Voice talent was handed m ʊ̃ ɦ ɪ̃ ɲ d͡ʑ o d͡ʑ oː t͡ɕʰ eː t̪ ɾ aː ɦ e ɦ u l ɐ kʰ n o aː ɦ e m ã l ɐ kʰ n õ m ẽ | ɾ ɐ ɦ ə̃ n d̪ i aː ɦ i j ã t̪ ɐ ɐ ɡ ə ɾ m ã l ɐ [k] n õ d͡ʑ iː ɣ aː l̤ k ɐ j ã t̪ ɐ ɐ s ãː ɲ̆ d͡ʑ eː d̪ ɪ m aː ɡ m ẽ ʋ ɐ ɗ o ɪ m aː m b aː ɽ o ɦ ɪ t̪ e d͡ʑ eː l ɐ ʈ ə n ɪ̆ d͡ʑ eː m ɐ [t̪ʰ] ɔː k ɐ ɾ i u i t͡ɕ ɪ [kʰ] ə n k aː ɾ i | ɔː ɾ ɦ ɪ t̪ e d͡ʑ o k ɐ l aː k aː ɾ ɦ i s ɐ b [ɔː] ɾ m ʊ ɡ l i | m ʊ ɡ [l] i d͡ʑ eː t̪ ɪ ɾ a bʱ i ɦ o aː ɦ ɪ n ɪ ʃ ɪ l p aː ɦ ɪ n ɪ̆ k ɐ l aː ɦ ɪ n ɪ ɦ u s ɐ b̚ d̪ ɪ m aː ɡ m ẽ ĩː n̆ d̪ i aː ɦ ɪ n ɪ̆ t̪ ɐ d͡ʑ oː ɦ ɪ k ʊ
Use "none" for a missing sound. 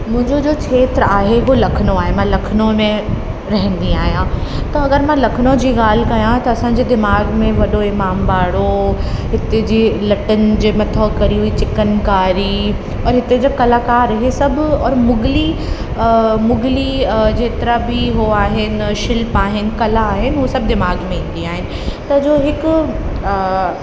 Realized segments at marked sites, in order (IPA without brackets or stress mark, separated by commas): kʰ, t̪ʰ, k, ɔː, l